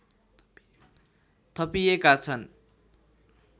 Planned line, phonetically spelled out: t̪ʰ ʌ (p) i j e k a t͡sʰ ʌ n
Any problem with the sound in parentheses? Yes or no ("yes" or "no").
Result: no